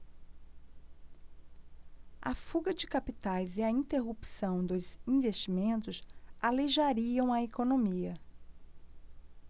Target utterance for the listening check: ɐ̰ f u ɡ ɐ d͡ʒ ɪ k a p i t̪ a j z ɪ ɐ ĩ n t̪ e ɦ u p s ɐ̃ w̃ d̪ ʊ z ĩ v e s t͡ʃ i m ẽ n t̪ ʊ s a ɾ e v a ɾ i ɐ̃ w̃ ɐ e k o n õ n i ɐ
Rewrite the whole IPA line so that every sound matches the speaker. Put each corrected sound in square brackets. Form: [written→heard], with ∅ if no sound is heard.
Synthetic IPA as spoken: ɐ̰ f u ɡ ɐ d͡ʒ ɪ k a p i t̪ a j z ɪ ɐ ĩ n t̪ e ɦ u p s ɐ̃ w̃ d̪ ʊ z ĩ v e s t͡ʃ i m ẽ n t̪ ʊ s a [ɾ→l] e [v→ʒ] a ɾ i ɐ̃ w̃ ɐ e k o n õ [n→m] i ɐ